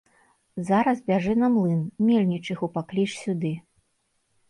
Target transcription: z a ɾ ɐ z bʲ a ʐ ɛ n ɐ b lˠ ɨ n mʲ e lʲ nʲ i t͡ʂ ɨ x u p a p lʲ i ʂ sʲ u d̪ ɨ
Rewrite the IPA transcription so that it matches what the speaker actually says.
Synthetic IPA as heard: z a ɾ ɐ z bʲ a ʐ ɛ n ɐ m lˠ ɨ n mʲ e lʲ nʲ i t͡ʂ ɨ x u p a k lʲ i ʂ sʲ u d̪ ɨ